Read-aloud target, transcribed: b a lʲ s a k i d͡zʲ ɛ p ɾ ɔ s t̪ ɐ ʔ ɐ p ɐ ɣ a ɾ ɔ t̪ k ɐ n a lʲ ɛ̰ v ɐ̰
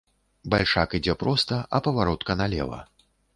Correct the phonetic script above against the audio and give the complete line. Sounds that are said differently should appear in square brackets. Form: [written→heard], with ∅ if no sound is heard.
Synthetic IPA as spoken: b a lʲ [s→ʂ] a k i d͡zʲ ɛ p ɾ ɔ s t̪ ɐ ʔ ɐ p ɐ [ɣ→v] a ɾ ɔ t̪ k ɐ n a lʲ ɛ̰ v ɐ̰